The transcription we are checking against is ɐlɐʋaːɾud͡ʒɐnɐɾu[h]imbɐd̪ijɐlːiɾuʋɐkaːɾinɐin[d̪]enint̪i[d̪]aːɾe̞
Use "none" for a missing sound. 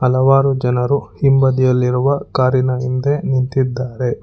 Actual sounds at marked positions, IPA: h, d̪, d̪ː

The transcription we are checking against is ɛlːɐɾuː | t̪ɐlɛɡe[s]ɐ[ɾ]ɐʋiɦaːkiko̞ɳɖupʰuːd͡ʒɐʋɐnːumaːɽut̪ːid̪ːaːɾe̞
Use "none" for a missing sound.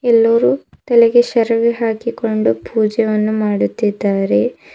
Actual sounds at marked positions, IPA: ʃ, ɾ

